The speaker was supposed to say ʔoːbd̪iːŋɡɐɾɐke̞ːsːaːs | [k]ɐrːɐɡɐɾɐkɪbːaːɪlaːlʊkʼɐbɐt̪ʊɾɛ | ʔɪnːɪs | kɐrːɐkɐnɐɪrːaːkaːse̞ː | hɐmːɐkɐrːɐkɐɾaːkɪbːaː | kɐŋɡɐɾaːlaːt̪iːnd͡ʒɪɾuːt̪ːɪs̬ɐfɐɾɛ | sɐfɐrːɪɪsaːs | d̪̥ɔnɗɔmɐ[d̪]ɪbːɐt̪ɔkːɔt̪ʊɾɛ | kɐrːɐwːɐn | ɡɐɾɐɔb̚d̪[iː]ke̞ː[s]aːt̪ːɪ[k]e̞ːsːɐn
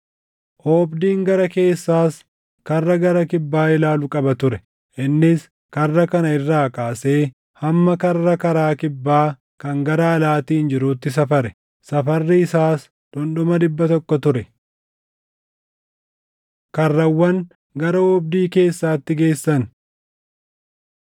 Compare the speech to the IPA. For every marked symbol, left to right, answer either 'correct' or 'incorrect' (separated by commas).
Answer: correct, correct, correct, incorrect, incorrect